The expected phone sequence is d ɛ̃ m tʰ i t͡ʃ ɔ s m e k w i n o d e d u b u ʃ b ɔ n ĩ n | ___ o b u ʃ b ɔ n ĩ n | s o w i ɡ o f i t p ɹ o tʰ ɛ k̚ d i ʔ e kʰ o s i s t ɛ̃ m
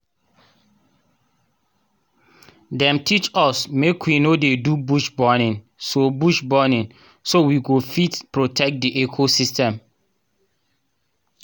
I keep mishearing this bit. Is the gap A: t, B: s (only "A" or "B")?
B